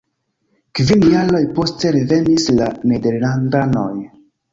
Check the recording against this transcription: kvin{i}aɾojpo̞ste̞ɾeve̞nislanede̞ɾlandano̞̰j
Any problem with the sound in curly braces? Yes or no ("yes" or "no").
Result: yes